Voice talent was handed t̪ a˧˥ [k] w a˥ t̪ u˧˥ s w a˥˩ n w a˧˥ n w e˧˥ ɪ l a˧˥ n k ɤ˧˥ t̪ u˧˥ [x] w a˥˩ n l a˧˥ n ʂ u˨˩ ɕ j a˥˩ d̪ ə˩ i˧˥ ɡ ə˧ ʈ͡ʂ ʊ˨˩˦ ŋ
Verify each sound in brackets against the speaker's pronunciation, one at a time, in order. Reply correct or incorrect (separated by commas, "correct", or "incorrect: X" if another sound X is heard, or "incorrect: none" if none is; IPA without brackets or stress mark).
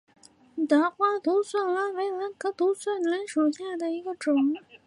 incorrect: x, incorrect: s